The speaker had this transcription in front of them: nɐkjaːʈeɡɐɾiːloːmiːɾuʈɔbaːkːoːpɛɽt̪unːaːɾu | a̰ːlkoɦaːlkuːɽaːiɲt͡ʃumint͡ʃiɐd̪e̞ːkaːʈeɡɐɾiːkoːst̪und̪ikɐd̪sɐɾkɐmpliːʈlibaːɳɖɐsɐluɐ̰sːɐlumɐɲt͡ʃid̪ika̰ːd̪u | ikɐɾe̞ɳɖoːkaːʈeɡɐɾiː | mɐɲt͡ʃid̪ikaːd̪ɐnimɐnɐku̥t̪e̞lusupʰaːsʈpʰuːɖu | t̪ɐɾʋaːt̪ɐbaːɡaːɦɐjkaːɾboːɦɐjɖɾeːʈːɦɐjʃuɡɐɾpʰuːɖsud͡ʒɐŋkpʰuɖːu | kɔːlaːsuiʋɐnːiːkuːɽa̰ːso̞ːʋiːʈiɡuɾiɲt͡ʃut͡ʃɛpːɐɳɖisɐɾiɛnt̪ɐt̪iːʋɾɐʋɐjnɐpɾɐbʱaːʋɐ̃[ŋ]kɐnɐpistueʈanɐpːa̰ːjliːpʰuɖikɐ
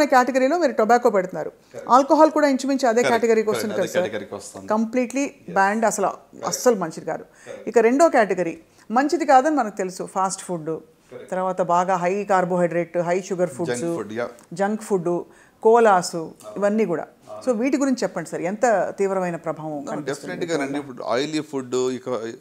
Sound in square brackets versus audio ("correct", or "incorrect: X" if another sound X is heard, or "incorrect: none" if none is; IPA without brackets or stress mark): incorrect: m